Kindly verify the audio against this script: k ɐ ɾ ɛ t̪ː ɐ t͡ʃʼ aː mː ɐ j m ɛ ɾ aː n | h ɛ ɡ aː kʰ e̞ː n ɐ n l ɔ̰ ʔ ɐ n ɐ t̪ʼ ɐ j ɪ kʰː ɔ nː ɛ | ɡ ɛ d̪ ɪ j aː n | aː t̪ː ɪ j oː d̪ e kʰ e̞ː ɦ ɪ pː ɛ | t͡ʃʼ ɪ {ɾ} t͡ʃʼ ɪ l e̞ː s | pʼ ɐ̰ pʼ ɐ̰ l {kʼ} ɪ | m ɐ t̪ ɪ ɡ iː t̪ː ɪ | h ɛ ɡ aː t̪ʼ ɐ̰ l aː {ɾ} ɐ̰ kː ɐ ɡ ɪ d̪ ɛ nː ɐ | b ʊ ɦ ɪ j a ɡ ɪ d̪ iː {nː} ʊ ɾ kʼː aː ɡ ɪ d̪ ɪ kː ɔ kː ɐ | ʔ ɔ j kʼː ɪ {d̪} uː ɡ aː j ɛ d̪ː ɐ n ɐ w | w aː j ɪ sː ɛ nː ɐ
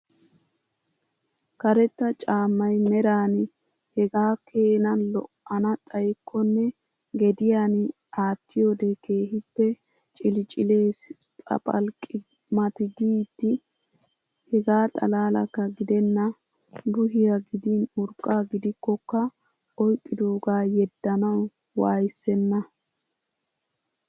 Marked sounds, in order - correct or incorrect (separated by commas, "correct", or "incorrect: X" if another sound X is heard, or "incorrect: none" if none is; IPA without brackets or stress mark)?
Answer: incorrect: l, correct, incorrect: l, incorrect: n, correct